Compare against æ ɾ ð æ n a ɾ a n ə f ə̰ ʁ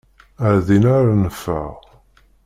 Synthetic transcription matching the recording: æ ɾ ð i n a ɾ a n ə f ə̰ ʁ